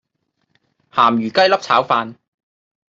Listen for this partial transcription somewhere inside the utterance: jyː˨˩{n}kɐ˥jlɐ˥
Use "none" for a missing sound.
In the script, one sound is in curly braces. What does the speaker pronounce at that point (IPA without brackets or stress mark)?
none